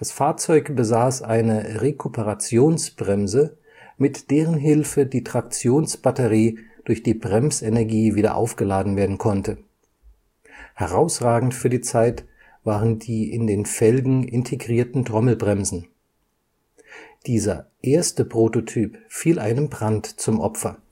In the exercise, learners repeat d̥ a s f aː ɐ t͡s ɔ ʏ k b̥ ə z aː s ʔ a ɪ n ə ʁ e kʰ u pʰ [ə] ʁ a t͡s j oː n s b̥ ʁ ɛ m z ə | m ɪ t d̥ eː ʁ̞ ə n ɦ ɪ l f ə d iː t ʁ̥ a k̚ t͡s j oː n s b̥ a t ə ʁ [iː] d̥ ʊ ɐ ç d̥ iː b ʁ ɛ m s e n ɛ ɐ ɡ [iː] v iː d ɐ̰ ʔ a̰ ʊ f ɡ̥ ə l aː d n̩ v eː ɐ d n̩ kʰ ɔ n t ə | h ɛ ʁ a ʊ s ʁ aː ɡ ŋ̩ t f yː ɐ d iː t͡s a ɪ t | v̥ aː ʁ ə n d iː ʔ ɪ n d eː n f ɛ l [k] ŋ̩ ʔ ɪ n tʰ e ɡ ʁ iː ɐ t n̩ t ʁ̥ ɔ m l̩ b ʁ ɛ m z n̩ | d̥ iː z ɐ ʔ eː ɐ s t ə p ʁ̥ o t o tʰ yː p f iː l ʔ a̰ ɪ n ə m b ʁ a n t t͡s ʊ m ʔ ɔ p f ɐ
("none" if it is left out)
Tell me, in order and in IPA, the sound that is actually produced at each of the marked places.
ə, iː, iː, ɡ

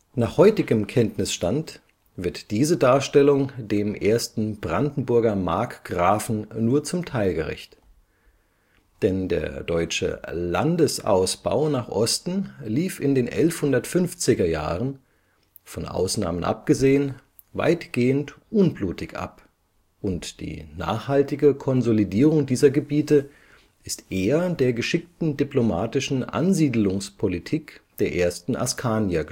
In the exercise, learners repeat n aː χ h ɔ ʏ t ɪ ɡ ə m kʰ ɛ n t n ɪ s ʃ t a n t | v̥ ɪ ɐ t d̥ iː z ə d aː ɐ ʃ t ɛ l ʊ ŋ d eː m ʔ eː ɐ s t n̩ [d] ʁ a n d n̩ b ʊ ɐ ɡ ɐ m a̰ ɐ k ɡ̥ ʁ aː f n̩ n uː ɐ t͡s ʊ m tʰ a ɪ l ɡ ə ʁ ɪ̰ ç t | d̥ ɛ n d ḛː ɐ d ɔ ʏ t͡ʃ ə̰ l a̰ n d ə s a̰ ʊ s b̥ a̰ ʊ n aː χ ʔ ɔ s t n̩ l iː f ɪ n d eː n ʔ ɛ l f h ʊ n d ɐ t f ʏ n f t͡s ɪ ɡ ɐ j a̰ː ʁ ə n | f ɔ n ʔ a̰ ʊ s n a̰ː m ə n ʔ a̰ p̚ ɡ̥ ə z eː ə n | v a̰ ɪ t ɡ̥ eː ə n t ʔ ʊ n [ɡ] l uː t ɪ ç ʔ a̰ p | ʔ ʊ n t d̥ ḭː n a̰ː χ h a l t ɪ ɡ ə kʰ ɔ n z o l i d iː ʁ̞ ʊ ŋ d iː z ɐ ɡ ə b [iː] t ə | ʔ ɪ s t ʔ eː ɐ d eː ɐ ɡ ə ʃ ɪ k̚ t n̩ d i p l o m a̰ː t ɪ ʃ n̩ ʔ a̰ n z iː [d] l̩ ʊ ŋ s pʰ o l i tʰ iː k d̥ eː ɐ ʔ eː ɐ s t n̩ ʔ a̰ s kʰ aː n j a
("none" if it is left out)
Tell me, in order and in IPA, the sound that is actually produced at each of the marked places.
b, b, iː, d

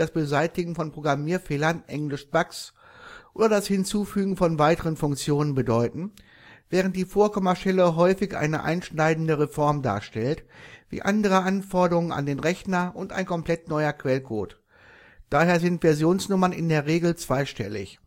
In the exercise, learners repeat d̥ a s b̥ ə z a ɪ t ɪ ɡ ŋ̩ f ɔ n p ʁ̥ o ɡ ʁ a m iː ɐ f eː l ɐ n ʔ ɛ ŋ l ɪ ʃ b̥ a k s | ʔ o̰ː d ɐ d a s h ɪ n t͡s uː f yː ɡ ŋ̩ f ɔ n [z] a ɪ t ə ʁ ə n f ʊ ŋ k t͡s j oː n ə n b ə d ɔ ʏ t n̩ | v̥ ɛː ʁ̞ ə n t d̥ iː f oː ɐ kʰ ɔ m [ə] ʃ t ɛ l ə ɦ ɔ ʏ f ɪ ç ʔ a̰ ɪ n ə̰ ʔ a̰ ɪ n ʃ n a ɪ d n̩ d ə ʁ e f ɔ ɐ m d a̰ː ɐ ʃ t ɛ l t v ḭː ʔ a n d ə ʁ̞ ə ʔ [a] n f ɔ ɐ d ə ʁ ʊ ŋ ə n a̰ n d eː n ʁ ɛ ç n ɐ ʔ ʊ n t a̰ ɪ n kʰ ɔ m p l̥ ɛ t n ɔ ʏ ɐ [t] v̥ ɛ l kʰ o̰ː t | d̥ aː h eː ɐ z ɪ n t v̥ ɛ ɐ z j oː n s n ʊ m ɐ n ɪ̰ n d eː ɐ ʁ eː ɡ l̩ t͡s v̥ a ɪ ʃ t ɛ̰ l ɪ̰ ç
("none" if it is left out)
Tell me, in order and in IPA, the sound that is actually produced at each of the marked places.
v, ɐ, a, k

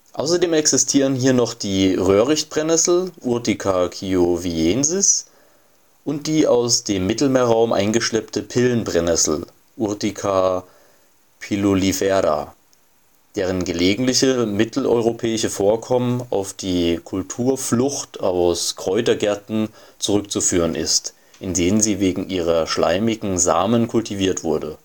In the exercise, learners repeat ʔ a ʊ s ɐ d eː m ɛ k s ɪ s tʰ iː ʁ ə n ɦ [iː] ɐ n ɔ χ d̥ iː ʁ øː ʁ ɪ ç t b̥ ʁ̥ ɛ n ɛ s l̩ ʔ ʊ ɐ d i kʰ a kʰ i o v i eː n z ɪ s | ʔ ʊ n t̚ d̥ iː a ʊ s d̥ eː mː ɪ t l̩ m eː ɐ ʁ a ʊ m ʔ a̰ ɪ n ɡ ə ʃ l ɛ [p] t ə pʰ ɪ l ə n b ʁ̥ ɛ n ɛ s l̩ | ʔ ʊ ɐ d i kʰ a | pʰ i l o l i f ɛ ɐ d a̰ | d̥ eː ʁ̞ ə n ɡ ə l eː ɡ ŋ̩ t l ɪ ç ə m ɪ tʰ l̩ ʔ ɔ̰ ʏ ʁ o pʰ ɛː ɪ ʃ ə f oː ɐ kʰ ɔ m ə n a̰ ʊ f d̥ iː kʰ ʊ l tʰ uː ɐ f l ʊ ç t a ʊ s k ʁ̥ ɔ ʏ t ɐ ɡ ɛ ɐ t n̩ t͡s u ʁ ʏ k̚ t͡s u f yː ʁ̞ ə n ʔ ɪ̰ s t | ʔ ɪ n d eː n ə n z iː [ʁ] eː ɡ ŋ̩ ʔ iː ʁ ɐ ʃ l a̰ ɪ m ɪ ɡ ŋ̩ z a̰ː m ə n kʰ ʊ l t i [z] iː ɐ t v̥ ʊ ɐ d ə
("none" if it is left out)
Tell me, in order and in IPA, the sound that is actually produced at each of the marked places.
iː, p, v, v

